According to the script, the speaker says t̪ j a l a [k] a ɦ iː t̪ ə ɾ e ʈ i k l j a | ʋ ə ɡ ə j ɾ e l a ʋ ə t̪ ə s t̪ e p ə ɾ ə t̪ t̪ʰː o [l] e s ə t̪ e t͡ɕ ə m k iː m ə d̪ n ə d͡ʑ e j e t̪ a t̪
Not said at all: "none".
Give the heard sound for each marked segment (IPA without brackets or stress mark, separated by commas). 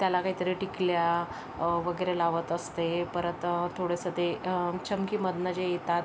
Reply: k, ɽ